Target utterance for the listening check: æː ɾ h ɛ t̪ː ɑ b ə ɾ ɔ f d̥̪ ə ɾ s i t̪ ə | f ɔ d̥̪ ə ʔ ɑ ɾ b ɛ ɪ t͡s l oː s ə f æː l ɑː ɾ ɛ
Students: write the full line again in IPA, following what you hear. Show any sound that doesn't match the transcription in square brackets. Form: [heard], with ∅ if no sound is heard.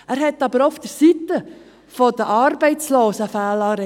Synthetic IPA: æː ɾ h ɛ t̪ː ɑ b ə ɾ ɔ f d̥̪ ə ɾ s i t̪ ə | f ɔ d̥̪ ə ʔ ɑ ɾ b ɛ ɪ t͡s l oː s ə f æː l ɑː ɾ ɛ